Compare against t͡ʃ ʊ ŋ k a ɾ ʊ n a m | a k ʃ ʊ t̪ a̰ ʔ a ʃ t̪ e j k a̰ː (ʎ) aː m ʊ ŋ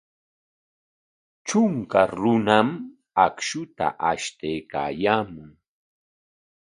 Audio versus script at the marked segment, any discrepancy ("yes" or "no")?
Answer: yes